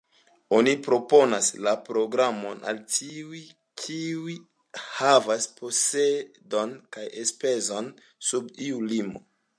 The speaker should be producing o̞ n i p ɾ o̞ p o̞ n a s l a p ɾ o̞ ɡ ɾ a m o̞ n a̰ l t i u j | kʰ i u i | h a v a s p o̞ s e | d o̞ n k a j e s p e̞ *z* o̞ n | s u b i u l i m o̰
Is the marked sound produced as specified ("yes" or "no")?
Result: yes